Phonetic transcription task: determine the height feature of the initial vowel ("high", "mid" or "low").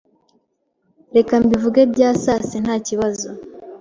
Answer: mid